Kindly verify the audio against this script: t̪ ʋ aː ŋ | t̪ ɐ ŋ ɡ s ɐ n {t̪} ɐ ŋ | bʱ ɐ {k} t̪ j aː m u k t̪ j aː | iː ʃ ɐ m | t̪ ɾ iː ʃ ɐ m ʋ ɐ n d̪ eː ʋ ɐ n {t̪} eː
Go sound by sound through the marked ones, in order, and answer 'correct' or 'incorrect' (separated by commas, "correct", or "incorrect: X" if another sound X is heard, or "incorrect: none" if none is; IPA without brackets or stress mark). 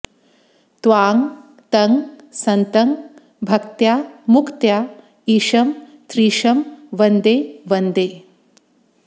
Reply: correct, correct, incorrect: d̪